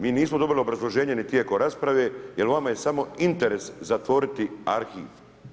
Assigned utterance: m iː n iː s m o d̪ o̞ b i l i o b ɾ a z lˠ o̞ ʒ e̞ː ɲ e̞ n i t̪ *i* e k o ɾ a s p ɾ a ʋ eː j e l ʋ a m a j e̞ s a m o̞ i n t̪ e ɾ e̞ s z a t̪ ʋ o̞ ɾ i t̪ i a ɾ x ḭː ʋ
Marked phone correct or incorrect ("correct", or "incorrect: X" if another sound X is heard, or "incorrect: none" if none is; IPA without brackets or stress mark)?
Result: incorrect: j